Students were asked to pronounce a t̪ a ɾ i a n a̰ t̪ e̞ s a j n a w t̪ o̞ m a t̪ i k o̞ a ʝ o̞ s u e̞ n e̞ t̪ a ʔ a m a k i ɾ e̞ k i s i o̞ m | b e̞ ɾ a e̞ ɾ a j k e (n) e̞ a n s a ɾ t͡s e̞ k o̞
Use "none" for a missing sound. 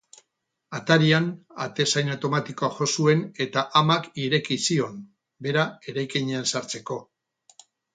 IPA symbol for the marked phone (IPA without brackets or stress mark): ɲ